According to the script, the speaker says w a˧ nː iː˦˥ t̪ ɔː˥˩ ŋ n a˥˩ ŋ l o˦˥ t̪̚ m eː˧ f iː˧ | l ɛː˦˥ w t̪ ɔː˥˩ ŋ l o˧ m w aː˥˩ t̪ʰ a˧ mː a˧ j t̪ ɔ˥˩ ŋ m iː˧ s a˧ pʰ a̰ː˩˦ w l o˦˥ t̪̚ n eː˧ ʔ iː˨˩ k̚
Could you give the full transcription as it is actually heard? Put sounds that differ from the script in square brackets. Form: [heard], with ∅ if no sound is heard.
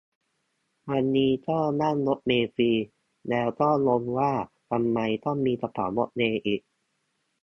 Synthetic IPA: w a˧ nː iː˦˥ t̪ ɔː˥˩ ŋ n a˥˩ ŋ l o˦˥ t̪̚ m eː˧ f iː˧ | l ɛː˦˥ w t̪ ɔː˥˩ ŋ l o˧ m w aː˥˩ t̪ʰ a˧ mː a˧ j t̪ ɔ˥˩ ŋ m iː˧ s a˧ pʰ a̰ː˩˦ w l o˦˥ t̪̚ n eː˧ ʔ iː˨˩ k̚